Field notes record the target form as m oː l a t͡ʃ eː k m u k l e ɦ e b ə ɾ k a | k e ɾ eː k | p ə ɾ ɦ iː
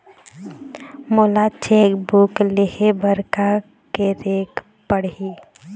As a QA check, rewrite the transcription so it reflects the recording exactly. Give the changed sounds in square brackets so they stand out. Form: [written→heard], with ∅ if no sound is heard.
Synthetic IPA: m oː l a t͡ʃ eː k [m→b] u k l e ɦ e b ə ɾ k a | k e ɾ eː k | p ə [ɾ→ɽ] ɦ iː